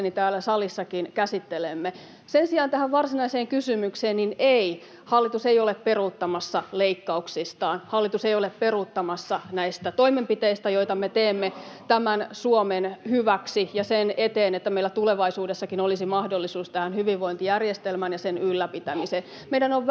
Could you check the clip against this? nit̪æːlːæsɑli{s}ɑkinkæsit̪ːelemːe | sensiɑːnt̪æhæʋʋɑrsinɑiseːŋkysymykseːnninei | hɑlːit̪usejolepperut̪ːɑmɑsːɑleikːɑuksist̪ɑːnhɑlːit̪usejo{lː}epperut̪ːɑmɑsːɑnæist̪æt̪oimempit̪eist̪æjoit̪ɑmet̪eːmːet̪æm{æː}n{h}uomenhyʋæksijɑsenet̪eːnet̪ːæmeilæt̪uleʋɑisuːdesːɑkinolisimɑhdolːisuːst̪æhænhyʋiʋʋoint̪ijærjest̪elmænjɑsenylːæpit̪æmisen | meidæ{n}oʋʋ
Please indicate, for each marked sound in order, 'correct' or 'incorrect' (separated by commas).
incorrect, incorrect, incorrect, incorrect, correct